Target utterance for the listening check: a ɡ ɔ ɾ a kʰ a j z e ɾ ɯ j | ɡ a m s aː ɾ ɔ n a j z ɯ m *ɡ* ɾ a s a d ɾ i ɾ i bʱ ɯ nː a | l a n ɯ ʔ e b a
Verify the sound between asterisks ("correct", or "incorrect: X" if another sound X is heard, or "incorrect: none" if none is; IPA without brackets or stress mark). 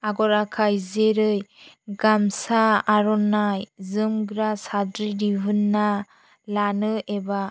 correct